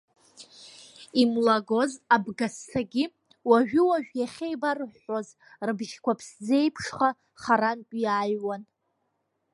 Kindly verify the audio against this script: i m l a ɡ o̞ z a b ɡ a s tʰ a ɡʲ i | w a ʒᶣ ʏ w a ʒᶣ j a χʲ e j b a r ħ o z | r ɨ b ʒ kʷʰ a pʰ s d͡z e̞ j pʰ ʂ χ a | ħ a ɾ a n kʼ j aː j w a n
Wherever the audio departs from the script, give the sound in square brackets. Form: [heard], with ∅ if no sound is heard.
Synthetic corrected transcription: i m l a ɡ o̞ z a b ɡ a s tʰ a ɡʲ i | w a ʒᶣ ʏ w a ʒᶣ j a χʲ e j b a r ħ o z | r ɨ b ʒ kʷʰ a pʰ s d͡z e̞ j pʰ ʂ χ a | [χ] a ɾ a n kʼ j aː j w a n